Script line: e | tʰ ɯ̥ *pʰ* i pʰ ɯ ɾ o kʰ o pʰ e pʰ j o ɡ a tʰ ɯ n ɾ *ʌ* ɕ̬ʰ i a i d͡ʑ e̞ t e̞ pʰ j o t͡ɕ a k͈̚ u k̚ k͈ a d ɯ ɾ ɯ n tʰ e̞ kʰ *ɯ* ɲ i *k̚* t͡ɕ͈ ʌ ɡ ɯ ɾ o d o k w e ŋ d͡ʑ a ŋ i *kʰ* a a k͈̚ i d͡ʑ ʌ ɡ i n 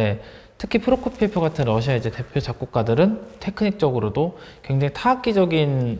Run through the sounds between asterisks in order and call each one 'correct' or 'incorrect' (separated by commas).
incorrect, correct, correct, correct, incorrect